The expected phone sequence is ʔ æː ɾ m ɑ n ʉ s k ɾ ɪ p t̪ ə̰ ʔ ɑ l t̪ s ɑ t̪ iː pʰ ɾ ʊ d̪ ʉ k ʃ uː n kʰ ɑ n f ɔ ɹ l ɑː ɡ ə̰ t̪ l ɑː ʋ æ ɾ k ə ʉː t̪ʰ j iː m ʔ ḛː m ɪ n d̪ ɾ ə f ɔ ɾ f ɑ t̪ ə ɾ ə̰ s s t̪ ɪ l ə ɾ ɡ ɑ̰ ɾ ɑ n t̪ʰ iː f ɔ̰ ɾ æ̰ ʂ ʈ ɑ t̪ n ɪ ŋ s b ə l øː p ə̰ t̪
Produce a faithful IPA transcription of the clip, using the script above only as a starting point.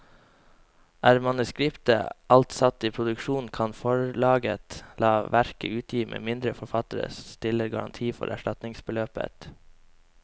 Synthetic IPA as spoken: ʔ æː ɾ m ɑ n ʉ s k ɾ ɪ p t̪ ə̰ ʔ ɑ l t̪ s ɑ t̪ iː pʰ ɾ ʊ d̪ ʉ k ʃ uː n kʰ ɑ n f ɔ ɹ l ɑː ɡ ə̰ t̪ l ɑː ʋ æ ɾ k ə ʉː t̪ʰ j iː m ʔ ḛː m ɪ n d̪ ɾ ə f ɔ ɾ f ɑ t̪ ə ɾ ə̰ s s t̪ ɪ l ə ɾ ɡ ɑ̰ ɾ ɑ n t̪ʰ iː f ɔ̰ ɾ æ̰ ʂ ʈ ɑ t̪ n ɪ ŋ s b ə l øː p ə̰ t̪